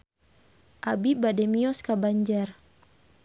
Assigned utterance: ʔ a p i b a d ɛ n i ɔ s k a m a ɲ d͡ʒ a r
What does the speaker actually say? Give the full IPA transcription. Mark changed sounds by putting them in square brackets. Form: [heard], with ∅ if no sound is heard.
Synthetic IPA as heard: ʔ a [b] i b a d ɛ [m] i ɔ s k a [b] a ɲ d͡ʒ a r